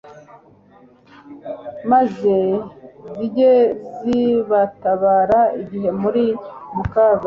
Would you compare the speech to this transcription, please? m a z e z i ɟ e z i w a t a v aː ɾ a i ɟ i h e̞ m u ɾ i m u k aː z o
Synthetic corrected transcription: m a z e z i ɟ e z i β a t a β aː ɾ a i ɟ i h e̞ m u ɾ i m u k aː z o